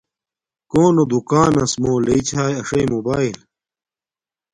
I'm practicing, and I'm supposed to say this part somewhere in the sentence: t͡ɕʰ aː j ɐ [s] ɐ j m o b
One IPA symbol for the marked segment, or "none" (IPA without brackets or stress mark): ʂ